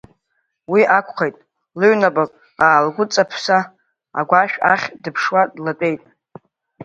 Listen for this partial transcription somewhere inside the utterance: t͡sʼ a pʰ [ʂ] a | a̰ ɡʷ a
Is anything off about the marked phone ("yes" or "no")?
yes